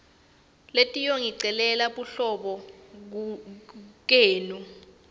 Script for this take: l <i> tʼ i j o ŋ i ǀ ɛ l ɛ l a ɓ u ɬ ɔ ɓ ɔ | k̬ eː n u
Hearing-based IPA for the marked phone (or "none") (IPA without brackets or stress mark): e